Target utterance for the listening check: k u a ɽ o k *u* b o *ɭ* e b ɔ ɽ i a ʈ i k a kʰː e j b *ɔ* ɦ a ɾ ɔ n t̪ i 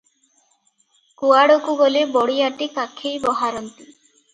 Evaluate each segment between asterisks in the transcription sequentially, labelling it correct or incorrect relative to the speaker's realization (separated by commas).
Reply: correct, incorrect, correct